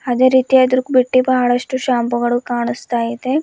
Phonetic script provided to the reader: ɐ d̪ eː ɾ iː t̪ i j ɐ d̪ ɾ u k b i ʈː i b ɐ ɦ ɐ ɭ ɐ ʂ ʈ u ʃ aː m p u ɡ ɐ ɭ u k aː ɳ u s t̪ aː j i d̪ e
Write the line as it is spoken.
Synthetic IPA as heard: ɐ d̪ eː ɾ iː t̪ i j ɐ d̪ ɾ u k b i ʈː i b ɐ ɦ ɐ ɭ ɐ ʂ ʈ u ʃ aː m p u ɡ ɐ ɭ u k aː ɳ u s t̪ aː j i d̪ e